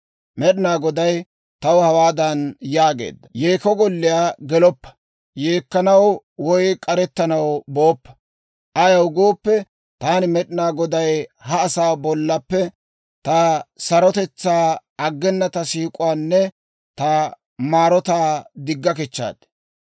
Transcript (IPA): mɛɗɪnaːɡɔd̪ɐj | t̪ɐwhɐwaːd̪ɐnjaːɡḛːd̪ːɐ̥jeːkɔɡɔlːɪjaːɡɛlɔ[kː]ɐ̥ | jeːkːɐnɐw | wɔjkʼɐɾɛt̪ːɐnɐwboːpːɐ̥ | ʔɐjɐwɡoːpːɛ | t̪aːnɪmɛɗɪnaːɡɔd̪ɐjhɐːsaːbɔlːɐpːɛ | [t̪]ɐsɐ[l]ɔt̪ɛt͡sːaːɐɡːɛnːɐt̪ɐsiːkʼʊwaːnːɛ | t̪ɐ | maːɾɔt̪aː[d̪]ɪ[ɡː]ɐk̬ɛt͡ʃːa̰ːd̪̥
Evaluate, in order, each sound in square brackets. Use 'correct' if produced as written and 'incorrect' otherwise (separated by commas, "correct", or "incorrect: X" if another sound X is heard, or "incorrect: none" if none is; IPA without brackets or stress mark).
incorrect: pː, correct, incorrect: ɾ, correct, correct